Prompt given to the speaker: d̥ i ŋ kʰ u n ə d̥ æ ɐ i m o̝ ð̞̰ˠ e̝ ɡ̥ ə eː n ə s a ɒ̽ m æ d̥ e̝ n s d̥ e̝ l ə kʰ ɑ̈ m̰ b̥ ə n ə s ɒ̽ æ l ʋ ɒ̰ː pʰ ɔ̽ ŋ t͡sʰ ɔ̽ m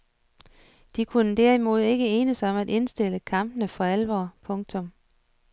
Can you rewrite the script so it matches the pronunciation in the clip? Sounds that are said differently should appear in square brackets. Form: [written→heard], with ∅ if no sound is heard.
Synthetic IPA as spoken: d̥ i [ŋ→∅] kʰ u n ə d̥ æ ɐ i m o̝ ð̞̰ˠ e̝ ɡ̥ ə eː n ə s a ɒ̽ m æ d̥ e̝ n s d̥ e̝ l ə kʰ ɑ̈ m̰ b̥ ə n ə [s→f] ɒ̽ æ l ʋ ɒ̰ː pʰ ɔ̽ ŋ t͡sʰ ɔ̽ m